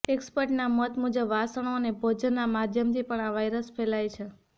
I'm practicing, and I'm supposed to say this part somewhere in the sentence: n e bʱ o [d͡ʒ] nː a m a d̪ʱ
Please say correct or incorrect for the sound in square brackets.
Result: correct